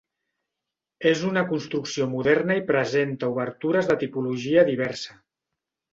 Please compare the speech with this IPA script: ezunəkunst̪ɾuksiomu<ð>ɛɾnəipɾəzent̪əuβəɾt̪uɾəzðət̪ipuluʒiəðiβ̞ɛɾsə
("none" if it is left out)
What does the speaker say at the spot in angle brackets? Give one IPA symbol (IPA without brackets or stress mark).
ð